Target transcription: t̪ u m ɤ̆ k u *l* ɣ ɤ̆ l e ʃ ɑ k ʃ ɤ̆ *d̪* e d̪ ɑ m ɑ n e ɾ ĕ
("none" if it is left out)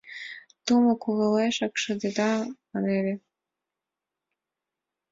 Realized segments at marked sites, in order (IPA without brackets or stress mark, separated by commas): none, d̪